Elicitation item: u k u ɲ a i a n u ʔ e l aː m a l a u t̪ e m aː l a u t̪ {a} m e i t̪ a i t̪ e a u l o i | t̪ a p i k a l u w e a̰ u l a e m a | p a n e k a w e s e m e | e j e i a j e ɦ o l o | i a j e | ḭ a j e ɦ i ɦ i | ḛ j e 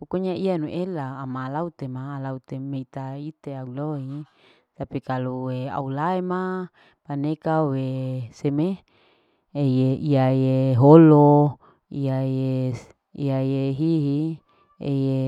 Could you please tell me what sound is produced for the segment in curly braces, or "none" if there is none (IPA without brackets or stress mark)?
e